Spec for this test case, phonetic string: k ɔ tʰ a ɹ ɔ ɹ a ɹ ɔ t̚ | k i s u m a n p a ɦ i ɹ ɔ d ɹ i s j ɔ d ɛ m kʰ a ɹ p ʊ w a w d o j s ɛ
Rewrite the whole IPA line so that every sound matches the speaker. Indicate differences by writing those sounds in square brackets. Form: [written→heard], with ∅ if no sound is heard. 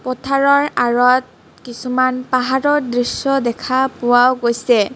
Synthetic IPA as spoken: [k→p] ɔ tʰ a ɹ ɔ ɹ a ɹ ɔ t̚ | k i s u m a n p a ɦ [i→a] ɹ ɔ d ɹ i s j ɔ d ɛ [m→∅] kʰ a [ɹ→∅] p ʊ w a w [d→ɡ] o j s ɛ